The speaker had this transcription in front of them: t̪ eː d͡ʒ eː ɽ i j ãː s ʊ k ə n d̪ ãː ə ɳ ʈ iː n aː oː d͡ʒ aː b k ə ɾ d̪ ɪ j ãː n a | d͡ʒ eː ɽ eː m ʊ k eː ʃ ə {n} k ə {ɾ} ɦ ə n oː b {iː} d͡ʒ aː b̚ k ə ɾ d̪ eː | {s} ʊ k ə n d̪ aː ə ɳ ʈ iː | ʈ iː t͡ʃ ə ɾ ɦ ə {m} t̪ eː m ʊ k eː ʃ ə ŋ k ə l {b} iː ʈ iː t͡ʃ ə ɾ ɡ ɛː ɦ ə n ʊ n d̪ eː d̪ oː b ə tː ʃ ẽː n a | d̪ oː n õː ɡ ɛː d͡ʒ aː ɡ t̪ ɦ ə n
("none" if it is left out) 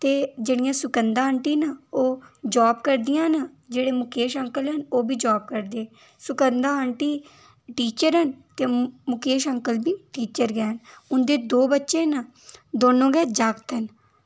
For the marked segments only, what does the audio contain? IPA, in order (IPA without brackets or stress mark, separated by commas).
ŋ, l, iː, s, n, b